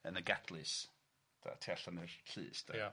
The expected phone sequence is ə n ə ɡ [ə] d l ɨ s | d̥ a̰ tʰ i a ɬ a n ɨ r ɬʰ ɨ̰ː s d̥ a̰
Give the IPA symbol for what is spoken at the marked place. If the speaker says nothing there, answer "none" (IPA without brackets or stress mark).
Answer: a